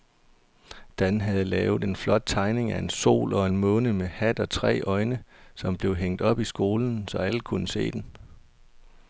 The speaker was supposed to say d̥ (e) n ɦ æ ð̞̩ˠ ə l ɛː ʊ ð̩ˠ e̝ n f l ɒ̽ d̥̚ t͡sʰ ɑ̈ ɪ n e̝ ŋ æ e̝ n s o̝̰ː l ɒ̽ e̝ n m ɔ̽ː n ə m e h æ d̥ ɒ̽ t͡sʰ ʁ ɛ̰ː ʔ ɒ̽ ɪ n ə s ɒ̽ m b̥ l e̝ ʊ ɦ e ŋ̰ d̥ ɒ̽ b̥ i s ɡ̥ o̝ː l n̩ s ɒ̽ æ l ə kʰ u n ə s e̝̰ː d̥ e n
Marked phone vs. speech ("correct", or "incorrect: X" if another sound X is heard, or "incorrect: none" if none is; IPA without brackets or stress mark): incorrect: æ